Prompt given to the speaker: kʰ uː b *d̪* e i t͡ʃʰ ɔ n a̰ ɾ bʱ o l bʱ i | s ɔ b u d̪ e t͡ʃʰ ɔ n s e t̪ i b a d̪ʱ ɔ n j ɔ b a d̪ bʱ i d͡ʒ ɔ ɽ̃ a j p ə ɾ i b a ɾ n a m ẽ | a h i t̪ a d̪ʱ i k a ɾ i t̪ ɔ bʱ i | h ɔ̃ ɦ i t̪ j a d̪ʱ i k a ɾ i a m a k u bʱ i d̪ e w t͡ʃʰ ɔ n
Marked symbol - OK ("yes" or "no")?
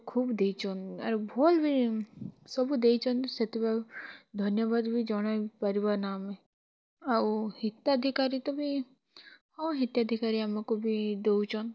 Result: yes